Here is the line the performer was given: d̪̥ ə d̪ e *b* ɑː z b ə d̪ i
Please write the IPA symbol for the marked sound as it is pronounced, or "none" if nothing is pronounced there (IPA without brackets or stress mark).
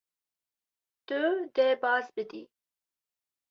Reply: b